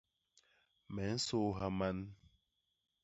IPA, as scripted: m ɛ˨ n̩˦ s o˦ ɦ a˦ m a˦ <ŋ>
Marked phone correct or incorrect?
incorrect